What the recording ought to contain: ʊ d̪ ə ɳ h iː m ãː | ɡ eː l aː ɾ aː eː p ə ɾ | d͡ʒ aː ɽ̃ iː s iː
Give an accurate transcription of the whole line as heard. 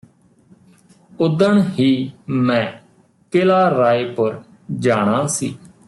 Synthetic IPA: ʊ d̪ ə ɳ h iː m ɛ̃ː | k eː l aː ɾ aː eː p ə ɾ | d͡ʒ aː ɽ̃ aː s iː